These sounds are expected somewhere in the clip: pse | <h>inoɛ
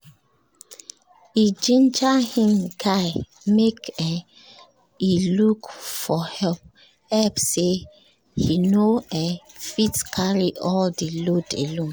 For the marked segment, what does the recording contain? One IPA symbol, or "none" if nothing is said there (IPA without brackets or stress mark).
h